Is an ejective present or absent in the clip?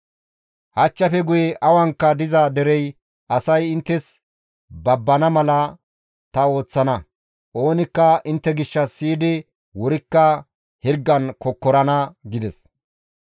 absent